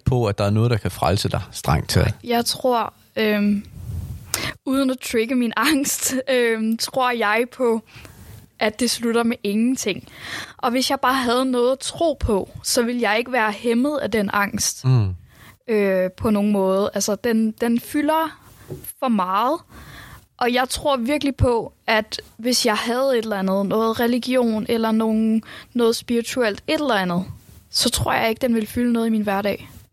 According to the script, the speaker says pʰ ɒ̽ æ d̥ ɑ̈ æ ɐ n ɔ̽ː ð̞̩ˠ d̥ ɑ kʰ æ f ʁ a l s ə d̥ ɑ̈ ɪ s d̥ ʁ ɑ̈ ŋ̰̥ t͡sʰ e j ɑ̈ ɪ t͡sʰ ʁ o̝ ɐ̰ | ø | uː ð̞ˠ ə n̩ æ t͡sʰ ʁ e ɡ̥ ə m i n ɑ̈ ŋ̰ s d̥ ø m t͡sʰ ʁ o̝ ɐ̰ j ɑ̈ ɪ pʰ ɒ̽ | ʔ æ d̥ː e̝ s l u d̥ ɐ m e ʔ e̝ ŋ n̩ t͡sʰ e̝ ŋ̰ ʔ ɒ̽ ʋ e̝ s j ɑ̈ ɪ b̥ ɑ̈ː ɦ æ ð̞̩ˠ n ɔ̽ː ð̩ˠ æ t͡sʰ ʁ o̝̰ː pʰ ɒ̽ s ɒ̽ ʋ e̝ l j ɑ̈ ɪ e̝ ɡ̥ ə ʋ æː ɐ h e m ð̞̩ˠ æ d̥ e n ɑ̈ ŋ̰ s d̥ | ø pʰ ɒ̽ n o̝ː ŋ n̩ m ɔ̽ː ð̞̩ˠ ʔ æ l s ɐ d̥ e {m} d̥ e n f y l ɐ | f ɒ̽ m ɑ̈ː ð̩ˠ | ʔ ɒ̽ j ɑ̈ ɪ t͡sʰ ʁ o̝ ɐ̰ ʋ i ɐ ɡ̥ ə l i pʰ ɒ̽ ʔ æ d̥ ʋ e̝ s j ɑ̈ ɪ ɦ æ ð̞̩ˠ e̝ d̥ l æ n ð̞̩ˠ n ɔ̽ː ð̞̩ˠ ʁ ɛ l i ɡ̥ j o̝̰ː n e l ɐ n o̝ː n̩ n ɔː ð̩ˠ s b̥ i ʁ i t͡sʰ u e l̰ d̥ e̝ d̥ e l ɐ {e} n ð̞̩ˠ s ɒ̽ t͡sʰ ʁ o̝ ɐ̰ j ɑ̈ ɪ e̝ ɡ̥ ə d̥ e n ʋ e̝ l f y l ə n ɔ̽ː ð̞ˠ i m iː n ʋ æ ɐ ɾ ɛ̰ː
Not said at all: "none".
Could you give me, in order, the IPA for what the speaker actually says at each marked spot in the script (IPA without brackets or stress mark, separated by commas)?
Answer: n, æ